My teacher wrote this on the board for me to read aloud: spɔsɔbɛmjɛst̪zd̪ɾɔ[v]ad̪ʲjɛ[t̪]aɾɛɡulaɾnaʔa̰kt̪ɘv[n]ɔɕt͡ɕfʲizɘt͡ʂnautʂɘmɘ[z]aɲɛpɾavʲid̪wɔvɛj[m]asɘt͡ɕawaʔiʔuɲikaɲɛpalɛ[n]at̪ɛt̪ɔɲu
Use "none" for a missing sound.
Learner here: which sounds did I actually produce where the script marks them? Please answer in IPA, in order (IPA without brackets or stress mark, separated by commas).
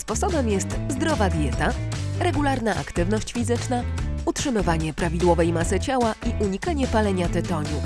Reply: v, t̪, n, v, m, ɲ